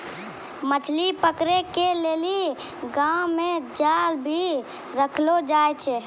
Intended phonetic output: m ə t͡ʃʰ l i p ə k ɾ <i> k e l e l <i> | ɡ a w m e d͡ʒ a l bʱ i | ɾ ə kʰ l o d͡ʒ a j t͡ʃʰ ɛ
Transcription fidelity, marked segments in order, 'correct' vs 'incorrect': incorrect, correct

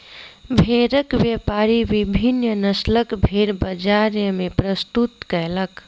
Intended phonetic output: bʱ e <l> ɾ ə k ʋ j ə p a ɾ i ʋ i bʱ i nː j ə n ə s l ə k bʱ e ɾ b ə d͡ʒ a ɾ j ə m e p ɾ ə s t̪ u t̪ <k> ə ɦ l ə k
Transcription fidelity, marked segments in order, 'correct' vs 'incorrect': incorrect, correct

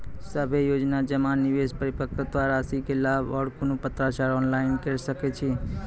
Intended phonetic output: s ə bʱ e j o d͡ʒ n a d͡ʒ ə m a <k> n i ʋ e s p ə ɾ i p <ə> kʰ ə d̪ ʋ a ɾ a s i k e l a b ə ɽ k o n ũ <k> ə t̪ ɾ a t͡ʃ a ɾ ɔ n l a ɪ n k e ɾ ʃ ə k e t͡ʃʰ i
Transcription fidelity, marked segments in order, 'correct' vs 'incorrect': incorrect, correct, incorrect

